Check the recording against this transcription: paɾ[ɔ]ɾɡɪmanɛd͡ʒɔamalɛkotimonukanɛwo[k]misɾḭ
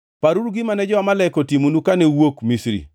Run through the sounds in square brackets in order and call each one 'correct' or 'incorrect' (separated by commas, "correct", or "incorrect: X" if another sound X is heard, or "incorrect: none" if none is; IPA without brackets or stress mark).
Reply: incorrect: u, correct